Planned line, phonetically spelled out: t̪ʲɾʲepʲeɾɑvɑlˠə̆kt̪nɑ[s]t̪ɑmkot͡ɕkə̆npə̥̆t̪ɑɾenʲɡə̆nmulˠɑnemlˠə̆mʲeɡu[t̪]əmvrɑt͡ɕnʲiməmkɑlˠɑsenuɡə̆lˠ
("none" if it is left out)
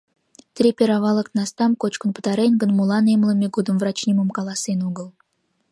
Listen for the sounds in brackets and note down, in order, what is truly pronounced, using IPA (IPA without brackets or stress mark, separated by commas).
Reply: s, d̪